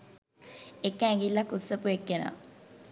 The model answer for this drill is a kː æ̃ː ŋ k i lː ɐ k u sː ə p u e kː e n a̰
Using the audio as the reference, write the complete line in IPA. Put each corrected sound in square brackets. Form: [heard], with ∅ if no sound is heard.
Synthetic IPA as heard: [e] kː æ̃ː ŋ [ɡ] i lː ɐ k u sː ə p u e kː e n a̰